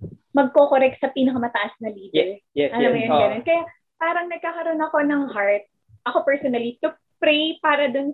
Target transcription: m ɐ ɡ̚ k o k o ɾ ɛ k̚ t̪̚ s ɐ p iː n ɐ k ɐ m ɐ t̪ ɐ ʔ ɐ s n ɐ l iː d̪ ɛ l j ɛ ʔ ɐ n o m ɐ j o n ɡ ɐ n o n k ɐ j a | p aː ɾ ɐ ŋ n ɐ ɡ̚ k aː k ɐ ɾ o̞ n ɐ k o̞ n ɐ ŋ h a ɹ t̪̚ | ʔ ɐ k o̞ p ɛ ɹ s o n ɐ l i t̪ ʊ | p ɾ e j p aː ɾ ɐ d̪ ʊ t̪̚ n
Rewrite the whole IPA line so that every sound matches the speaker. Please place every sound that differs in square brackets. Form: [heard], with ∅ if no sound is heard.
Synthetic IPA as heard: m ɐ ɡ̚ k o k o ɾ ɛ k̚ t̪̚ s ɐ p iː n ɐ k ɐ m ɐ t̪ ɐ ʔ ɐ s n ɐ l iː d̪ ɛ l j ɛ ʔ ɐ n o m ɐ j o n ɡ ɐ n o n k ɐ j a | p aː ɾ ɐ ŋ n ɐ ɡ̚ k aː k ɐ ɾ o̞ n ɐ k o̞ n ɐ ŋ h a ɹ t̪̚ | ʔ ɐ k o̞ p ɛ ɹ s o n ɐ l i t̪ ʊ | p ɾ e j p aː ɾ ɐ d̪ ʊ [∅] n